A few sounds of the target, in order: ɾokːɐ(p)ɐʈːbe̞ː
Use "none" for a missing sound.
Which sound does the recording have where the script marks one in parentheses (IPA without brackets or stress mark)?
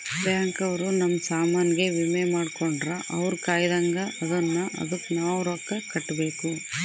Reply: k